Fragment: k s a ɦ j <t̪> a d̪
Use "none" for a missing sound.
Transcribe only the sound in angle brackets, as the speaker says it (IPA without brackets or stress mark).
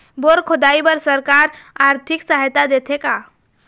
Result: t̪